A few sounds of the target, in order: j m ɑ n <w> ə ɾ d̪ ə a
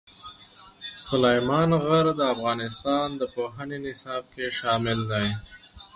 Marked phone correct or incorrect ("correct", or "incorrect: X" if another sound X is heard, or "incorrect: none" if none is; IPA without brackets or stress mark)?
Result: incorrect: ɣ